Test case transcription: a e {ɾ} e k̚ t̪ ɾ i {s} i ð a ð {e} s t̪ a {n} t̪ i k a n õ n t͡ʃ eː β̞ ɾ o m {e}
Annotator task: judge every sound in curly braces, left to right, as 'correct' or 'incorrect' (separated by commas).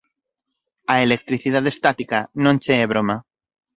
incorrect, incorrect, correct, incorrect, incorrect